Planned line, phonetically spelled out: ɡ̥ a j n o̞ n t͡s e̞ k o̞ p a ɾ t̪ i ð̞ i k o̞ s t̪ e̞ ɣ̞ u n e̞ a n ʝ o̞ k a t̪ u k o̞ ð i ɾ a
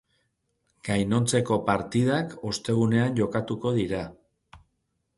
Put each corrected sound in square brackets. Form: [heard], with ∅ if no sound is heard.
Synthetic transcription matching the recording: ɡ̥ a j n o̞ n t͡s e̞ k o̞ p a ɾ t̪ i ð̞ [a] k o̞ s t̪ e̞ ɣ̞ u n e̞ a n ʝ o̞ k a t̪ u k o̞ ð i ɾ a